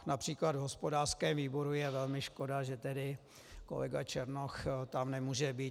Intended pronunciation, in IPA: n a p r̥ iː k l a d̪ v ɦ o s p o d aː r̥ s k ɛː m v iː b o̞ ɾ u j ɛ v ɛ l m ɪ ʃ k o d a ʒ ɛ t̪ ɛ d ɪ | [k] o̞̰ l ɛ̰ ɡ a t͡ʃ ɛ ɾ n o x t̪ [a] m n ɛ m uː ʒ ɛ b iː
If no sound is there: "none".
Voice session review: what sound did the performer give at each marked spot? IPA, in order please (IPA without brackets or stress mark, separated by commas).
k, a